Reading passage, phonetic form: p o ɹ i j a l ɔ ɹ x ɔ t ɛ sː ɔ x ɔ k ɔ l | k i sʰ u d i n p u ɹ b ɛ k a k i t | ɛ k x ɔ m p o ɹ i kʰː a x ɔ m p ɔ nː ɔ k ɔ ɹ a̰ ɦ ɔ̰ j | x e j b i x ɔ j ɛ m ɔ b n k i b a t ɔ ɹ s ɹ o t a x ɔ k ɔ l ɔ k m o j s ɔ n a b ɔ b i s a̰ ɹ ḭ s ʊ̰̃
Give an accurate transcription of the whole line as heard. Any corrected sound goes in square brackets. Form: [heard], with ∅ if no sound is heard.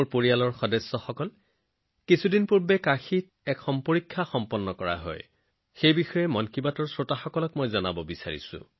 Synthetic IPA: p o ɹ i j a l ɔ ɹ x ɔ [d] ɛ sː ɔ x ɔ k ɔ l | k i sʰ u d i n p u ɹ b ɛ k a [x] i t | ɛ k x ɔ m p o ɹ i kʰː a x ɔ m p ɔ nː ɔ k ɔ ɹ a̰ ɦ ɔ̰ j | x e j b i x ɔ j ɛ m ɔ [∅] n k i b a t ɔ ɹ s ɹ o t a x ɔ k ɔ l ɔ k m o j [z] ɔ n a b ɔ b i s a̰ ɹ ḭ s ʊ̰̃